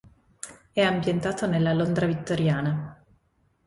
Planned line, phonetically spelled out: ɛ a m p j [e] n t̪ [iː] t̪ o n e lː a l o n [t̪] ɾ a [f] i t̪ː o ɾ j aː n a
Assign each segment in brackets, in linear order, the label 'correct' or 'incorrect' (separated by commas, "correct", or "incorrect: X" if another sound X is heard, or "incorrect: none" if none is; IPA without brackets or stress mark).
correct, incorrect: aː, incorrect: d̪, incorrect: v